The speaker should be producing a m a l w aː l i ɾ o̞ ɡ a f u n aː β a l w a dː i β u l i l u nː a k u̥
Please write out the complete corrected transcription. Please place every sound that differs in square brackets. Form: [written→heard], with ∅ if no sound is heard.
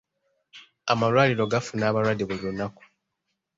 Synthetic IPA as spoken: a m a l w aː l i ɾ o̞ ɡ a f u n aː β a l w a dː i β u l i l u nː a k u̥